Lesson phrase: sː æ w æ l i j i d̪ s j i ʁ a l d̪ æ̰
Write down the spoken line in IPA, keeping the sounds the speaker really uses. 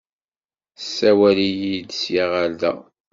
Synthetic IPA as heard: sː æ w æ l i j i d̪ s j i ʁ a l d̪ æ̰